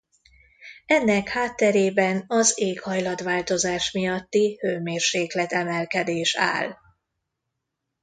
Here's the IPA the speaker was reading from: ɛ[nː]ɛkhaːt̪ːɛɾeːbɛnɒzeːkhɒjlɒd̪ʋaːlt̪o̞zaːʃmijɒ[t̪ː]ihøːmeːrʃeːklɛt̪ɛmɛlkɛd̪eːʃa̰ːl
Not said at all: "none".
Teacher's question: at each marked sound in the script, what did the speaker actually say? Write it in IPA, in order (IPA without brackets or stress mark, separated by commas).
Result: nː, t̪ː